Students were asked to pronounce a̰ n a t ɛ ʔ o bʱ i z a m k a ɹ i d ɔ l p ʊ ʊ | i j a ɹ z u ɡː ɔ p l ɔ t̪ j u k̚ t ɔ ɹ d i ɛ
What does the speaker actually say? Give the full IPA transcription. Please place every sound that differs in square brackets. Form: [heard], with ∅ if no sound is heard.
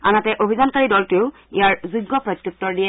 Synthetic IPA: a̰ n a t ɛ ʔ o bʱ i z a [n] k a ɹ i d ɔ l [t] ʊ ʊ | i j a ɹ z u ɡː ɔ p [ɹ] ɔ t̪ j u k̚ t ɔ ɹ d i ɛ